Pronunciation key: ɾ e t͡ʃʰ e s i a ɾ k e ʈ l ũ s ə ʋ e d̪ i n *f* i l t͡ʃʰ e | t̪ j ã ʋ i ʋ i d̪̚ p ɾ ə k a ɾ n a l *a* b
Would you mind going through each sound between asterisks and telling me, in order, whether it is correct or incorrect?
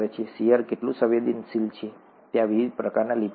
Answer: incorrect, incorrect

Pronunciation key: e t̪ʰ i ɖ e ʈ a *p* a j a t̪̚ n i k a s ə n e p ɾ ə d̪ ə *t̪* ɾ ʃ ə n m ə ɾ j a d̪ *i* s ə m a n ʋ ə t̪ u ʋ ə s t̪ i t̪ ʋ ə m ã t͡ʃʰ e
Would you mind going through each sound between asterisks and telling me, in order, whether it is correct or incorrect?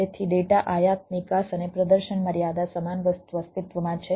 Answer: incorrect, incorrect, incorrect

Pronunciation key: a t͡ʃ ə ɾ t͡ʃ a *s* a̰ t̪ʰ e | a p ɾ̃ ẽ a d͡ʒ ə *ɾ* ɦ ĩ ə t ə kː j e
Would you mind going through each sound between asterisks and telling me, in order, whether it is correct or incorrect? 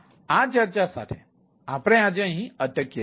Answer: correct, incorrect

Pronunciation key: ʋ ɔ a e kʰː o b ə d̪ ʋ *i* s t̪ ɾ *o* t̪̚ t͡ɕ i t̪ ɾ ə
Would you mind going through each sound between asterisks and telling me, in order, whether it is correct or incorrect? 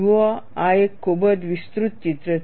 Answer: correct, incorrect

